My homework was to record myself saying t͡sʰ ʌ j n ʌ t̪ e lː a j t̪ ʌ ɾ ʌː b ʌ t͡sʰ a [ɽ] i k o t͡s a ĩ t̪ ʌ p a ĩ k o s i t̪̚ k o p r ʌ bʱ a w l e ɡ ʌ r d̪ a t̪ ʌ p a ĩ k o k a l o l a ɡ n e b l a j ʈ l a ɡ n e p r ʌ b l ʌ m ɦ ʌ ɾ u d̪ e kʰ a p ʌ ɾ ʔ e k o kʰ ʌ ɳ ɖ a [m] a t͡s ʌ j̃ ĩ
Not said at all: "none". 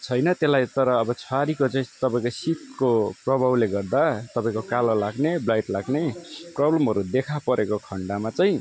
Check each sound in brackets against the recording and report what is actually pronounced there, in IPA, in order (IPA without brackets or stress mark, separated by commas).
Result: ɾ, m